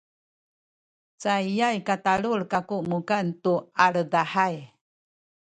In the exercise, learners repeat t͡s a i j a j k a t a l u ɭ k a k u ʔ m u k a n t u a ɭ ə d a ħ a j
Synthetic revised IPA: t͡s a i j a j k a t a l u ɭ k a k u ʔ m u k a n t u a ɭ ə d a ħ a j